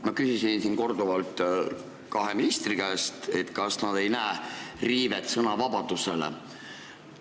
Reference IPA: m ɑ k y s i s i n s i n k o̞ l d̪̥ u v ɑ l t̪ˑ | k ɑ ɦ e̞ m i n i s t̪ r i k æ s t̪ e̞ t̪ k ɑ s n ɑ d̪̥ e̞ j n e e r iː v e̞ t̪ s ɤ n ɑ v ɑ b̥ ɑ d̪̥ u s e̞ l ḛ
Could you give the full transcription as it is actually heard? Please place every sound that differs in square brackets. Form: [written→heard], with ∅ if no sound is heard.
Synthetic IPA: m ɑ k y s i s i n s i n k o̞ [l→r] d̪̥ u v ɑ l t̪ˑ | k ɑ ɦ e̞ m i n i s t̪ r i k æ s t̪ e̞ t̪ k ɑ s n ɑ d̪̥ e̞ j n [e→æ] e r iː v e̞ t̪ s ɤ n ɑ v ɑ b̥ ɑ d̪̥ u s e̞ l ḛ